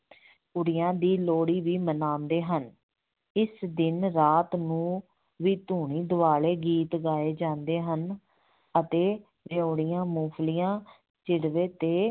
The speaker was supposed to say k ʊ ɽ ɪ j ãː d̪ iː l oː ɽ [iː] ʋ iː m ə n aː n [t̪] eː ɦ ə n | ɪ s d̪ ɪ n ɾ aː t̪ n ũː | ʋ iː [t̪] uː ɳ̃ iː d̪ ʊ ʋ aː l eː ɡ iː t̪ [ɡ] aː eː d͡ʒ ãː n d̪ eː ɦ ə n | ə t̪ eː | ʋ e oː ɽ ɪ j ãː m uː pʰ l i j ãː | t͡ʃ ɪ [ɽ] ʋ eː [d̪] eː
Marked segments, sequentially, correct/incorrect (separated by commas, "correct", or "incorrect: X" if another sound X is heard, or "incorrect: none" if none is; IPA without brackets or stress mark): correct, incorrect: d̪, correct, correct, correct, incorrect: t̪